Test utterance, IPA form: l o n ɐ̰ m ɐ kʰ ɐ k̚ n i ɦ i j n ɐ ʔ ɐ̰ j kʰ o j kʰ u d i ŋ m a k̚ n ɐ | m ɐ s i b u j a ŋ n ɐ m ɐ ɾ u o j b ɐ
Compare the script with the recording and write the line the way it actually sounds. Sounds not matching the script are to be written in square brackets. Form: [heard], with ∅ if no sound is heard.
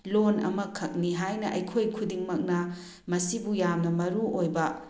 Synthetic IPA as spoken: l o n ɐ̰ m ɐ kʰ ɐ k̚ n i ɦ [a] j n ɐ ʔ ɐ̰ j kʰ o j kʰ u d i ŋ m [ɐ] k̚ n ɐ | m ɐ s i b u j a [m] n ɐ m ɐ ɾ u o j b ɐ